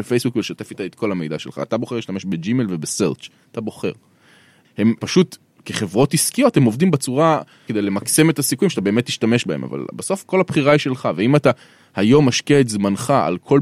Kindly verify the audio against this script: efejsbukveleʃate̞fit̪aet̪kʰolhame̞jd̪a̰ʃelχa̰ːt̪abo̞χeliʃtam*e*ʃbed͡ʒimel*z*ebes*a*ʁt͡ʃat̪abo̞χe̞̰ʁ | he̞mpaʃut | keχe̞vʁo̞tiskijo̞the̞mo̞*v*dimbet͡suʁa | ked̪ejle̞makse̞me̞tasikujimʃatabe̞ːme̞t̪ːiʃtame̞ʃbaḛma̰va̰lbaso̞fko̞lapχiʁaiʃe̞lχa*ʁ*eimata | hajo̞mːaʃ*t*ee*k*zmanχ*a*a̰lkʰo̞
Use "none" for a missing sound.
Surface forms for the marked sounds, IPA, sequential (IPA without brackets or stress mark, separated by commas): e, v, e, v, v, k, t, a